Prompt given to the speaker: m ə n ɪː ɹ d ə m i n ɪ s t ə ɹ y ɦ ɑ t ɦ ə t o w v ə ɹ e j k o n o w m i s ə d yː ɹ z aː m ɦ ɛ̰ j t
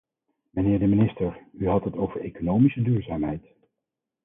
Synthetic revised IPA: m ə n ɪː ɹ d ə m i n ɪ s t ə ɹ y ɦ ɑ t ɦ ə t o w v ə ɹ e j k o n o w m i s ə d yː ɹ z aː m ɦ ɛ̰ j t